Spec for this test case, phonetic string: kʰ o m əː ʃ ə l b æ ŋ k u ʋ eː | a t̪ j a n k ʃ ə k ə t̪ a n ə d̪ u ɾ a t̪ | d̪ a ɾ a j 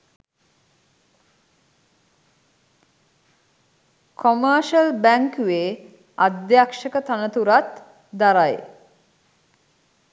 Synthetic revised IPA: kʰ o m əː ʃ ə l b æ ŋ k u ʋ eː | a d̪ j a k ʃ ə k ə t̪ a n ə t̪ u ɾ a t̪ | d̪ a ɾ a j

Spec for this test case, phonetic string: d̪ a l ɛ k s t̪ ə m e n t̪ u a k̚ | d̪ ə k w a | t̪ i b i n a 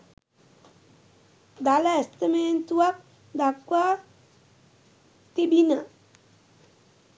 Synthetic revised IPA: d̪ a l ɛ s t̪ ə m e n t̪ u a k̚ | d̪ a k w a | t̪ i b i n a

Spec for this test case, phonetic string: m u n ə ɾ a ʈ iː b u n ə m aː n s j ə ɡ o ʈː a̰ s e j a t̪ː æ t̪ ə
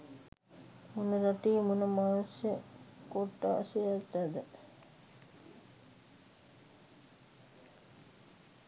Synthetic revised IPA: m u n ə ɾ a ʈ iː m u n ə m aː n s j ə k o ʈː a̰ s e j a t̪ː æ d̪ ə

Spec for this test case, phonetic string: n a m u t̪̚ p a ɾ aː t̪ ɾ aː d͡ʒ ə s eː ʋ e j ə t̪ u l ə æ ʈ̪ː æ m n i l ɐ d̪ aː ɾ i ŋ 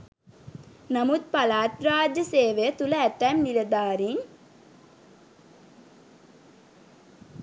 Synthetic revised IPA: n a m u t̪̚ p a l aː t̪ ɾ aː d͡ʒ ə s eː ʋ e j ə t̪ u l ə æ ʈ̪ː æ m n i l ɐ d̪ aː ɾ i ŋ

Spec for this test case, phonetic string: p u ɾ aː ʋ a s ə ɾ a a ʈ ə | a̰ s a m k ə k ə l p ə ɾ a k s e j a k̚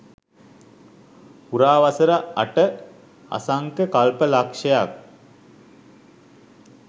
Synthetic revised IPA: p u ɾ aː ʋ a s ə ɾ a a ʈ ə | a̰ s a ŋ k ə k a l p ə l a k ʂ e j a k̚

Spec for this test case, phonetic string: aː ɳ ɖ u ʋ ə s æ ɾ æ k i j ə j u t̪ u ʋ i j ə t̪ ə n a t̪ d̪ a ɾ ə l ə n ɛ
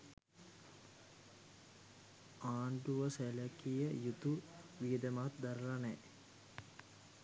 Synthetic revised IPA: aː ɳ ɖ u ʋ ə s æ l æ k i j ə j u t̪ u ʋ i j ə d̪ ə m a t̪ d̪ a ɾ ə l a n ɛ

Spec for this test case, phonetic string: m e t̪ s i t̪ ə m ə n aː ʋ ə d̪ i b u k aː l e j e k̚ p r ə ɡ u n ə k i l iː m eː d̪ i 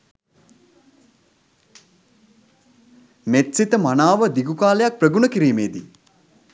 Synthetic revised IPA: m e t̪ s i t̪ ə m a n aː ʋ ə d̪ i ɡ u k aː l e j a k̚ p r ə ɡ u n ə k i ɾ iː m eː d̪ i

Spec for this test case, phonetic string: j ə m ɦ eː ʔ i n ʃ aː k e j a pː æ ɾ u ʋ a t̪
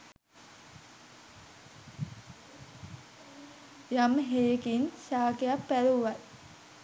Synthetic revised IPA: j a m ɦ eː k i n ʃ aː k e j a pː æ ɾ u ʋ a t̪

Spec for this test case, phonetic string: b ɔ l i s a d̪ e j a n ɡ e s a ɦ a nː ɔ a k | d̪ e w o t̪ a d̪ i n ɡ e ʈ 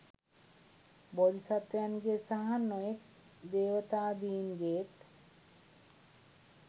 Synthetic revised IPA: b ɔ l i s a t̪ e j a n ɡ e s a ɦ a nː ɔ e k | d̪ e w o t̪ a d̪ i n ɡ e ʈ

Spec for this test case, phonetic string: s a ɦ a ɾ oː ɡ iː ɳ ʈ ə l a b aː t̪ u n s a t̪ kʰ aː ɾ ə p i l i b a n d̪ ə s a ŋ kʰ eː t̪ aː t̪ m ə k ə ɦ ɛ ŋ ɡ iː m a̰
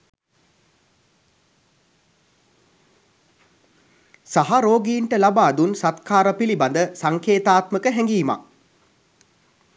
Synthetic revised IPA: s a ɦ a ɾ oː ɡ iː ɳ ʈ ə l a b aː d̪ u n s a t̪ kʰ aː ɾ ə p i l i b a n d̪ ə s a ŋ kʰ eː t̪ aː t̪ m ə k ə ɦ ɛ ŋ ɡ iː m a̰

